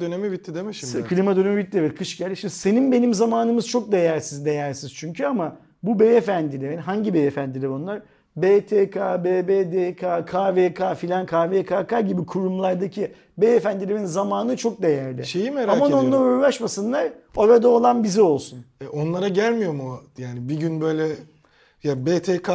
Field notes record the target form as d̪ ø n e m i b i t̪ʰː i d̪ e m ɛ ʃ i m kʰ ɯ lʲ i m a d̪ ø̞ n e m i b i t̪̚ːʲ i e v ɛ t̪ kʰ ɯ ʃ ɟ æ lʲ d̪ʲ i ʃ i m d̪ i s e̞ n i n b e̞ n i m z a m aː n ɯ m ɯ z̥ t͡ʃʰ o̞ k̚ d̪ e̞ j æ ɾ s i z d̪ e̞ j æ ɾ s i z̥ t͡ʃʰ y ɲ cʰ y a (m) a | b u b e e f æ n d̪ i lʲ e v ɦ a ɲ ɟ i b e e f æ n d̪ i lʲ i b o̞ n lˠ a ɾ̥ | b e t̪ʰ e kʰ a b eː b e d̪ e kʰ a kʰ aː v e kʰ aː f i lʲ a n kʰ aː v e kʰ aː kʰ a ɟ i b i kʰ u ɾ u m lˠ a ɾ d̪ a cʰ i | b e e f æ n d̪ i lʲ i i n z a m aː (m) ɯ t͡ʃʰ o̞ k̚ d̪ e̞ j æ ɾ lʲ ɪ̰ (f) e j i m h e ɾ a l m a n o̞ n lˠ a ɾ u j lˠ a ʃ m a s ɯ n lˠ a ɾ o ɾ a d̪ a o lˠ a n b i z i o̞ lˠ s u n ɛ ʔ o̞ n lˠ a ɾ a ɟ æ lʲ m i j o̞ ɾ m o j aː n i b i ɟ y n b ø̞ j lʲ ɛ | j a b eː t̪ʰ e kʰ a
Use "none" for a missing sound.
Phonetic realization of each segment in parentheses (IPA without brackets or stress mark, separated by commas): m, n, ʃ